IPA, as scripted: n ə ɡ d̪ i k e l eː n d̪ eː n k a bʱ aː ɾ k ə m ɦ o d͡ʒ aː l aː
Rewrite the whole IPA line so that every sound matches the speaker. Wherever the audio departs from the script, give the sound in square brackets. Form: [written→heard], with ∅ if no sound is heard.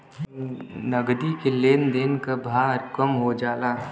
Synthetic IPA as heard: n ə ɡ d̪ i k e l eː n d̪ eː n k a bʱ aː ɾ k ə m ɦ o d͡ʒ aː l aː